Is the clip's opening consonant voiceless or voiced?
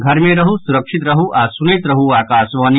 voiced